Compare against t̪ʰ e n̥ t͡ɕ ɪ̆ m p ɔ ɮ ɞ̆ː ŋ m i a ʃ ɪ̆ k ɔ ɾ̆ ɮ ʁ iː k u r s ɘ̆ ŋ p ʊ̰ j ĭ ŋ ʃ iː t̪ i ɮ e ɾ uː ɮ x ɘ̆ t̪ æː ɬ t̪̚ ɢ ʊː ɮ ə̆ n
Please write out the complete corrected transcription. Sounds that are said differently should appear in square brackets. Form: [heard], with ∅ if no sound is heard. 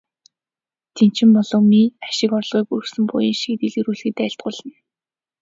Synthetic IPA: t̪ʰ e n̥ t͡ɕ ɪ̆ m p ɔ ɮ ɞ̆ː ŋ m i a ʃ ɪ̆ k ɔ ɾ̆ ɮ ʁ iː k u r s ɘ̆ [m] p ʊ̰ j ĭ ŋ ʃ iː t̪ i ɮ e ɾ uː ɮ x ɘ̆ t̪ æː ɬ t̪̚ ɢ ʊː ɮ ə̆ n